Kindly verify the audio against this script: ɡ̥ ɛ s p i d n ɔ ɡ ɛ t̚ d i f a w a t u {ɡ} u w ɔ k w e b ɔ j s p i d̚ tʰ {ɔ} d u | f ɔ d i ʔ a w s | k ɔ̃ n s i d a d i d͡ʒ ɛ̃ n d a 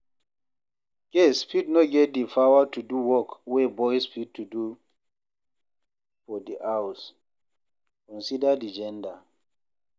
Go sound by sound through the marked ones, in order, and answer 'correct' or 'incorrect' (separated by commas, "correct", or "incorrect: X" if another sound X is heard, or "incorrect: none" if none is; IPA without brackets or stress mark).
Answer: incorrect: d, incorrect: u